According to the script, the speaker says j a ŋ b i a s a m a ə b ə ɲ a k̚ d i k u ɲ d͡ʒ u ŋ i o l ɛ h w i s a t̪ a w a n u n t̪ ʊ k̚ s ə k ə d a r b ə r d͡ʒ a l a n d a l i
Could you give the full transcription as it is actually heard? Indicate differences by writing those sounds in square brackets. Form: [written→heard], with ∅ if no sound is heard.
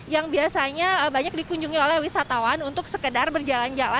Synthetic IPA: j a ŋ b i a s a [m→ɲ] a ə b [ə→a] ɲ a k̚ d i k u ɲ d͡ʒ u ŋ i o l ɛ h w i s a t̪ a w a n u n t̪ ʊ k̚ s ə k ə d a r b ə r d͡ʒ a l a n [d→d͡ʒ] a l [i→a]

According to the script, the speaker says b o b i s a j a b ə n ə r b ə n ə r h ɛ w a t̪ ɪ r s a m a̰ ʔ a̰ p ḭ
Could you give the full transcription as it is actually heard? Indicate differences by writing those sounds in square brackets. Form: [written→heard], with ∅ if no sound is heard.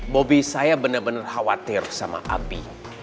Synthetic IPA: b o b i s a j a b ə n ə r b ə n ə r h [ɛ→a] w a t̪ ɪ r s a m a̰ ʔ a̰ [p→b] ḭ

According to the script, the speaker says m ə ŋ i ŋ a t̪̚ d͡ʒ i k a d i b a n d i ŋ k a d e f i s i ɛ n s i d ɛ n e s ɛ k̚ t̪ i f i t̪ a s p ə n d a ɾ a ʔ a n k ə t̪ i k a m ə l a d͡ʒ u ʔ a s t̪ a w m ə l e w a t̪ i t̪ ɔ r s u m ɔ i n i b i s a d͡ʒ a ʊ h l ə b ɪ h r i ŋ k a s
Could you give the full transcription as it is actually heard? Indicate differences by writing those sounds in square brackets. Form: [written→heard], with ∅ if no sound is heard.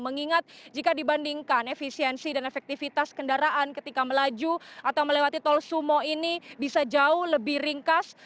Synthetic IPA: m ə ŋ i ŋ a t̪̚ d͡ʒ i k a d i b a n d i ŋ k a [d→n] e f i s i ɛ n s i d [ɛ→a] n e [s→f] ɛ k̚ t̪ i f i t̪ a s [p→k] ə n d a ɾ a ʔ a n k ə t̪ i k a m ə l a d͡ʒ u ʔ a [s→∅] t̪ a w m ə l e w a t̪ i t̪ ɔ [r→l] s u m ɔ i n i b i s a d͡ʒ a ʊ h l ə b ɪ h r i ŋ k a s

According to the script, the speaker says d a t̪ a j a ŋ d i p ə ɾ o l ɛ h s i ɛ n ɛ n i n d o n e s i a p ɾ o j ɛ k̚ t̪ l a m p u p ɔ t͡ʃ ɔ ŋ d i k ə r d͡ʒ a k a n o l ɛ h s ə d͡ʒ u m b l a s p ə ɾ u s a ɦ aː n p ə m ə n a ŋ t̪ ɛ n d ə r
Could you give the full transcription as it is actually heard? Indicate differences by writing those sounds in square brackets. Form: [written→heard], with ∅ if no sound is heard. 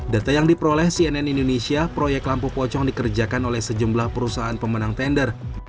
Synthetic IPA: d a t̪ a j a ŋ d i p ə ɾ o l ɛ h s i ɛ n ɛ n i n d o n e s i a p ɾ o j ɛ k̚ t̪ l a m p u p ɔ t͡ʃ ɔ ŋ d i k ə r d͡ʒ a k a n o l ɛ h s ə d͡ʒ u m b l a [s→h] p ə ɾ u s a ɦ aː n p ə m ə n a ŋ t̪ ɛ n d ə r

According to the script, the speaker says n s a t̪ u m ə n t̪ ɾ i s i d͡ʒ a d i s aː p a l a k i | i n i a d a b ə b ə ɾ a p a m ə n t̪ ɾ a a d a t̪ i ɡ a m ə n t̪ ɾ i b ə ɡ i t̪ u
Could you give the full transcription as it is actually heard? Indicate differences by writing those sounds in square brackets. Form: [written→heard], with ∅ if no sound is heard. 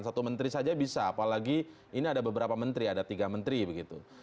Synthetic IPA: n s a t̪ u m ə n t̪ ɾ i s [i→a] d͡ʒ a [d→b] i s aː p a l a [k→ɡ] i | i n i a d a b ə b ə ɾ a p a m ə n t̪ ɾ [a→i] a d a t̪ i ɡ a m ə n t̪ ɾ i b ə ɡ i t̪ u

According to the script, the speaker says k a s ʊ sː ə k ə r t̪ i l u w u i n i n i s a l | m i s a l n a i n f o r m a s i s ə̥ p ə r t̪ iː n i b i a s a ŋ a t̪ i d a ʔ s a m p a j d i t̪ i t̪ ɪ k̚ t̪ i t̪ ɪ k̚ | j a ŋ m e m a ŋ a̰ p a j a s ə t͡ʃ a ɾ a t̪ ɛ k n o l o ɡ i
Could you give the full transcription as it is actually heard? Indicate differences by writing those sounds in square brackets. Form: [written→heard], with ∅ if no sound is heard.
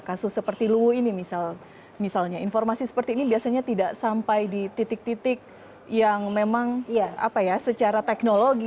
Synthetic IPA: k a s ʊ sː ə [k→p] ə r t̪ i l u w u i n i [n→m] i s a l | m i s a l [n→ɲ] a i n f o r m a s i s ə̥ p ə r t̪ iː n i b i a s a [ŋ→ɲ] a t̪ i d a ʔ s a m p a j d i t̪ i t̪ ɪ k̚ t̪ i t̪ ɪ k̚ | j a ŋ m e m a ŋ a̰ p a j a s ə t͡ʃ a ɾ a t̪ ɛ k n o l o ɡ i

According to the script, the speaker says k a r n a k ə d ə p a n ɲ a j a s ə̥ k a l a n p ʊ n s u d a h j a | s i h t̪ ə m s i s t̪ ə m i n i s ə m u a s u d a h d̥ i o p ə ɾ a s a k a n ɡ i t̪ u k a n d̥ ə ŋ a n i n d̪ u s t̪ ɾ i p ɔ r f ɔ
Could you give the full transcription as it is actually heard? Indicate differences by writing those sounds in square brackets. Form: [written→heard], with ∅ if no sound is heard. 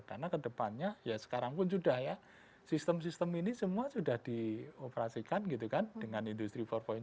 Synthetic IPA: k a r n a k ə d ə p a n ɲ a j a s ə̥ k a [l→ɾ] a [n→ŋ] p ʊ n s u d a h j a | s i [h→s] t̪ ə m s i s t̪ ə m i n i s ə m u a s u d a h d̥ i o p ə ɾ a s [a→i] k a n ɡ i t̪ u k a n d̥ ə ŋ a n i n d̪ u s t̪ ɾ i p ɔ r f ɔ

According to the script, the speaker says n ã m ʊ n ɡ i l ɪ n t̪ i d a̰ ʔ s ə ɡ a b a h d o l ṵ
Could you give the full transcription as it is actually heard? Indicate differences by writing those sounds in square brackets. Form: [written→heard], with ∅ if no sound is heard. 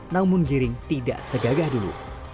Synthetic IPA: n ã m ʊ n ɡ i [l→ɾ] ɪ [n→ŋ] t̪ i d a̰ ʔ s ə ɡ a [b→ɡ] a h d [o→u] l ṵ

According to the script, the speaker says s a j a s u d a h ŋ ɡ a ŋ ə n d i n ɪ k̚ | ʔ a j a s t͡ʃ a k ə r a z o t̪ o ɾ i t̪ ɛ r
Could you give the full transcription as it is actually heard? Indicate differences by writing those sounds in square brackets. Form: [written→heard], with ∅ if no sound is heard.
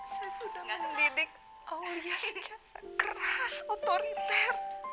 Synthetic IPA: s a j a s u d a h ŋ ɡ a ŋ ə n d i n ɪ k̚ | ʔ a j a s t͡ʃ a k ə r a [z→s] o t̪ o ɾ i t̪ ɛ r

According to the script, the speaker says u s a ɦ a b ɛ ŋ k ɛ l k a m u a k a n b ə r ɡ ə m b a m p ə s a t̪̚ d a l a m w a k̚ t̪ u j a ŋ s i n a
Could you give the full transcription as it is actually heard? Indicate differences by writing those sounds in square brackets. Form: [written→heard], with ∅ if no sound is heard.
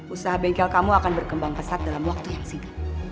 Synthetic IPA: u s a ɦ a b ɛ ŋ k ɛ l k a m u a k a n b ə r [ɡ→k] ə m b a [m→ŋ] p ə s a t̪̚ d a l a m w a k̚ t̪ u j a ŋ s i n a

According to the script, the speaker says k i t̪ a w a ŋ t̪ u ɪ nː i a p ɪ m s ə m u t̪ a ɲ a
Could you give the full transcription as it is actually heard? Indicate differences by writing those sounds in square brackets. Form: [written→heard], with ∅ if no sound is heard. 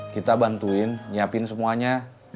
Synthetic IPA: k i t̪ a [w→b] a [ŋ→n] t̪ u ɪ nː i a p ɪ [m→n] s ə m u [t̪→∅] a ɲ a

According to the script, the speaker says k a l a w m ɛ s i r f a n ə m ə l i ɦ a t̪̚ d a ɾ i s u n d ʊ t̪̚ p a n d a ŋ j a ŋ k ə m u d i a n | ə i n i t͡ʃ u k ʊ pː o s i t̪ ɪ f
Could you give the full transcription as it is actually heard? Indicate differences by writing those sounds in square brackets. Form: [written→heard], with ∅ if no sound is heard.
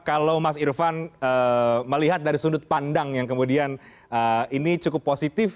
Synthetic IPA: k a l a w m [ɛ→a] s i r f a n ə m ə l i ɦ a t̪̚ d a ɾ i s u n d ʊ t̪̚ p a n d a ŋ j a ŋ k ə m u d i a n | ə i n i t͡ʃ u k ʊ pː o s i t̪ ɪ f

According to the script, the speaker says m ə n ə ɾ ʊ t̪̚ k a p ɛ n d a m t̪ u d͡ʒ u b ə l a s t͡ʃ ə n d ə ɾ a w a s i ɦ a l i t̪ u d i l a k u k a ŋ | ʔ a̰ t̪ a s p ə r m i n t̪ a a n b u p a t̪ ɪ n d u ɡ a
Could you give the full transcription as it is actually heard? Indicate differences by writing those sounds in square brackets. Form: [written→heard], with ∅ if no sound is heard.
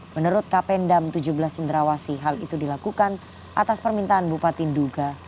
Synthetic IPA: m ə n ə ɾ ʊ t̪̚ k a p ɛ n d a m t̪ u d͡ʒ u b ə l a s t͡ʃ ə n d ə ɾ a w a s i ɦ a l i t̪ u d i l a k u k a [ŋ→n] | ʔ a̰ t̪ a s p ə r m i n t̪ a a n b u p a t̪ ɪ n d u ɡ a

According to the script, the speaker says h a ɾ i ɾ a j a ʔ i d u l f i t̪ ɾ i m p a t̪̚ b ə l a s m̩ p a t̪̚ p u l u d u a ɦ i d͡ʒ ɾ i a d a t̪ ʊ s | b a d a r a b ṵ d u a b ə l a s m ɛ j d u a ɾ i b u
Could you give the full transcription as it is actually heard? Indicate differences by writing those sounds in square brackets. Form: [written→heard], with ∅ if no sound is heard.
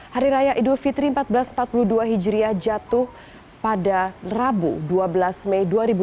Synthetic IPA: h a ɾ i ɾ a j a ʔ i d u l f i t̪ ɾ i m p a t̪̚ b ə l a s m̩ p a t̪̚ p u l u d u a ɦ i d͡ʒ ɾ i a [d→d͡ʒ] a t̪ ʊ [s→h] | [b→p] a d a r a b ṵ d u a b ə l a s m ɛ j d u a ɾ i b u

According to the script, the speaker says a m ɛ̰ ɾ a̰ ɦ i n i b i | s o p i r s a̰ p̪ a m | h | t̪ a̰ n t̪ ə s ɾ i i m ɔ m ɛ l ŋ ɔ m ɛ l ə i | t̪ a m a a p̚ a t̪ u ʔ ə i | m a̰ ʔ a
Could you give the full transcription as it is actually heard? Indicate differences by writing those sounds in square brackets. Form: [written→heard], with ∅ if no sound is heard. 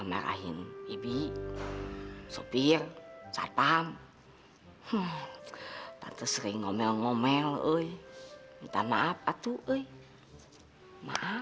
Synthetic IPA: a m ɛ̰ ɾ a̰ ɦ i n i b i | s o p i r s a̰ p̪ a m | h | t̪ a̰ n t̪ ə s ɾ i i [m→ŋ] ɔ m ɛ l ŋ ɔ m ɛ l ə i | t̪ a m a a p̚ a t̪ u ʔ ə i | m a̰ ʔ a

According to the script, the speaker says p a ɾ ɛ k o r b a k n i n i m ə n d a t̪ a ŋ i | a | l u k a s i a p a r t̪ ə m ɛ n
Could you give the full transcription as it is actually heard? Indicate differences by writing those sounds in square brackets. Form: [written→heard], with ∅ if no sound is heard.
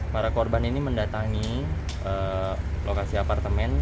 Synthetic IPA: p a ɾ [ɛ→a] k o r b a [k→∅] n i n i m ə n d a t̪ a ŋ i | [a→ə] | l [u→o] k a s i a p a r t̪ ə m ɛ n

